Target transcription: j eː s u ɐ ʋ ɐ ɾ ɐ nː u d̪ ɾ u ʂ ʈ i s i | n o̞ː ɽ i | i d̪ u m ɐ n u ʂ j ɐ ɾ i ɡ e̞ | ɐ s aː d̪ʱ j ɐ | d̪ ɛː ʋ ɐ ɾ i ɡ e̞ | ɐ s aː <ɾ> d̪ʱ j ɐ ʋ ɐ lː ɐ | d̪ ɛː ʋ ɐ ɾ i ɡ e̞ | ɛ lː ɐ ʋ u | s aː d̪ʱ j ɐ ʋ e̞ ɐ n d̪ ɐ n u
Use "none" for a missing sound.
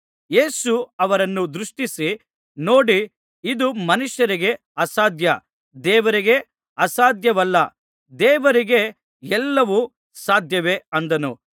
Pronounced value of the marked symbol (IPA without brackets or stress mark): none